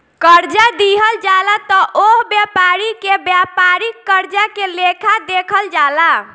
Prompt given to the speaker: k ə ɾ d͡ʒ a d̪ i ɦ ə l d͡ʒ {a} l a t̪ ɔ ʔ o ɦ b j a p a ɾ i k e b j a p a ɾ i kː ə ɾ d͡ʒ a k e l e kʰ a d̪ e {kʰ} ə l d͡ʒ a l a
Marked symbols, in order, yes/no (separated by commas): yes, yes